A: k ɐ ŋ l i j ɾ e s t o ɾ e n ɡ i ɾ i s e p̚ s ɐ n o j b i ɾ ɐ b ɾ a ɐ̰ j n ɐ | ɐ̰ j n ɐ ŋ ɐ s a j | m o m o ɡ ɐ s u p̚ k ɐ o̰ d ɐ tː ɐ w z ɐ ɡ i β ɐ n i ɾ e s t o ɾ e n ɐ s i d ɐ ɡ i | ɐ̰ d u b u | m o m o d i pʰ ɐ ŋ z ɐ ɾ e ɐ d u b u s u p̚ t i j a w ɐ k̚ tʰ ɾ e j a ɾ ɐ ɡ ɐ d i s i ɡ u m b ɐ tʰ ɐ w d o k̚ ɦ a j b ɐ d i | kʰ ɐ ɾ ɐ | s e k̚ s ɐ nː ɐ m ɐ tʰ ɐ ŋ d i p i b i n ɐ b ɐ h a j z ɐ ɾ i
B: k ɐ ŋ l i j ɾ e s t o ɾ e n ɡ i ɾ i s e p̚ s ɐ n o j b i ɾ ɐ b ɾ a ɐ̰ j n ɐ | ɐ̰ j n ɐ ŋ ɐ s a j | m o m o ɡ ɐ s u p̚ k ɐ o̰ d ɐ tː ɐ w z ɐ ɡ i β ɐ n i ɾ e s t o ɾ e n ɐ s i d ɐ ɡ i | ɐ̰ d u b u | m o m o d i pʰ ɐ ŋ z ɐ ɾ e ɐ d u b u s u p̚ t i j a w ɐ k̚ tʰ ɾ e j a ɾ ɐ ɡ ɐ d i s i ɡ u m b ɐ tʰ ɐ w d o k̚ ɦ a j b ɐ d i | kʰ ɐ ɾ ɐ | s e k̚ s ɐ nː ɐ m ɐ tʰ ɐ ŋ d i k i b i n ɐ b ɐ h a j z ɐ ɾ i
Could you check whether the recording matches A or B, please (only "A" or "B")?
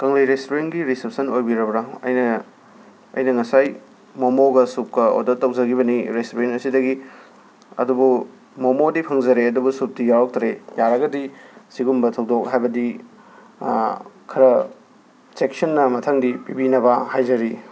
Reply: A